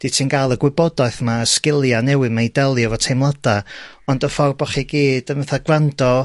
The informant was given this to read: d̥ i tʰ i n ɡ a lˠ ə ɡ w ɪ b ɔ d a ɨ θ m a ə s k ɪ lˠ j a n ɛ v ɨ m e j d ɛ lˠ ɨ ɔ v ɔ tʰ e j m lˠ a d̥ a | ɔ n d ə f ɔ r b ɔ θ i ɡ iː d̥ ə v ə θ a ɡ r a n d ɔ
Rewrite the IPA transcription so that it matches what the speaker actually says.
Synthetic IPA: d̥ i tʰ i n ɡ a lˠ ə ɡ w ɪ b ɔ d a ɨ θ m a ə s k ɪ lˠ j a n ɛ w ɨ m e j d ɛ lˠ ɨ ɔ v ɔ tʰ e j m lˠ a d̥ a | ɔ n d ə f ɔ r b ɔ χ i ɡ iː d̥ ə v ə θ a ɡ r a n d ɔ